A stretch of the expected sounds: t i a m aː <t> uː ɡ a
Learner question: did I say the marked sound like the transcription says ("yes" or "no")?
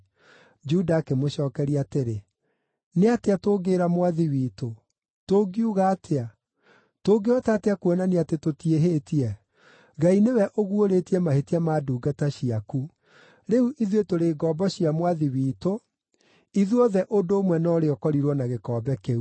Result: no